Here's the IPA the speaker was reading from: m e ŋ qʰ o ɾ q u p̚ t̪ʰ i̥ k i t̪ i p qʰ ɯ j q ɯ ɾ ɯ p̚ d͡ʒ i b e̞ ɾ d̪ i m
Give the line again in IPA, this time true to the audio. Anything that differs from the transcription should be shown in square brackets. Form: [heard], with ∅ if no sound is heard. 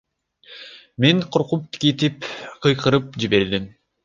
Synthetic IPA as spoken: m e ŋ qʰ o ɾ q u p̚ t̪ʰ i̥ k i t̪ i p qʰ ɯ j q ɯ ɾ ɯ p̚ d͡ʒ i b e̞ ɾ d̪ i m